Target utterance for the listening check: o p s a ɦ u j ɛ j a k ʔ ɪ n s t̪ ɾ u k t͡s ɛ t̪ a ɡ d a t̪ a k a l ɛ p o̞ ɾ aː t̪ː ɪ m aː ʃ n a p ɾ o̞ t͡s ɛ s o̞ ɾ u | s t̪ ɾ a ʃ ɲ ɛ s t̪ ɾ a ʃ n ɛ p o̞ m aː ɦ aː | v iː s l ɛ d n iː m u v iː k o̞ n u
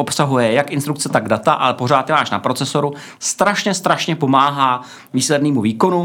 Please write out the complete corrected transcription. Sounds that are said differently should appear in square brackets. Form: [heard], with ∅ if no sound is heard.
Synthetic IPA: o p s a ɦ u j ɛ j a k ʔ ɪ n s t̪ ɾ u k t͡s ɛ t̪ a ɡ d a t̪ a [ʔ] a l ɛ p o̞ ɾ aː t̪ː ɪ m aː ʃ n a p ɾ o̞ t͡s ɛ s o̞ ɾ u | s t̪ ɾ a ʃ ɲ ɛ s t̪ ɾ a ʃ [ɲ] ɛ p o̞ m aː ɦ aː | v iː s l ɛ d n iː m u v iː k o̞ n u